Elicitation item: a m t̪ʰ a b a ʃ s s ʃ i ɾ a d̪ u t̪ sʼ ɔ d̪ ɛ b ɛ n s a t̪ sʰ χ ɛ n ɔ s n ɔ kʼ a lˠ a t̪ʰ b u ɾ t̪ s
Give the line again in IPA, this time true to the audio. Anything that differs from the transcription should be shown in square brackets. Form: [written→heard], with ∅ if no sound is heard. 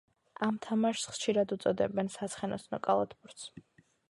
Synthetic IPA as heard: a m t̪ʰ a [b→m] a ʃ s [s→χ] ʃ i ɾ a d̪ u t̪ sʼ ɔ d̪ ɛ b ɛ n s a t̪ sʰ χ ɛ n ɔ s n ɔ kʼ a lˠ a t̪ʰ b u ɾ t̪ s